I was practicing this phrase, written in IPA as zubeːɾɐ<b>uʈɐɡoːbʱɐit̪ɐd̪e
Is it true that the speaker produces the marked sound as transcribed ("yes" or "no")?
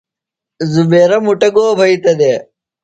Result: no